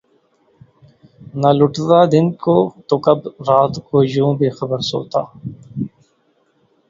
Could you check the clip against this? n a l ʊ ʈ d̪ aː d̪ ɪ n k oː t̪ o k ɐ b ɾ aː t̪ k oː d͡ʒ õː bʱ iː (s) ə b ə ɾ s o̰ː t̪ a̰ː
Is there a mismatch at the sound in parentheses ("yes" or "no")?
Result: yes